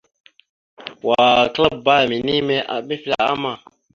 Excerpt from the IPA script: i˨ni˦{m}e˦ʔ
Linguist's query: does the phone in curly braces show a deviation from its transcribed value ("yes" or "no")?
no